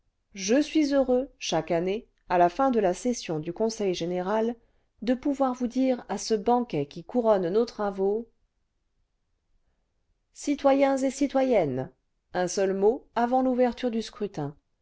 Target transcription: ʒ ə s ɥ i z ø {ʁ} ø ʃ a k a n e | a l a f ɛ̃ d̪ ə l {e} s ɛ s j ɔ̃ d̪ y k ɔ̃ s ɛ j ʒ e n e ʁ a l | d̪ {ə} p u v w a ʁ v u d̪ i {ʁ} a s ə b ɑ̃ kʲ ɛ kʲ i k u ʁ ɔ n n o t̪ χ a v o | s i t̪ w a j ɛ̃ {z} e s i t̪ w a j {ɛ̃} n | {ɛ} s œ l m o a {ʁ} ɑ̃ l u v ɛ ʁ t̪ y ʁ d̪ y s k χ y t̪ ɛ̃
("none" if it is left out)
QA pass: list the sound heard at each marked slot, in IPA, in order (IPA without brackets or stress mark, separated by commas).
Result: ʁ, a, ə, ʁ, z, ɛ, ɛ̃, v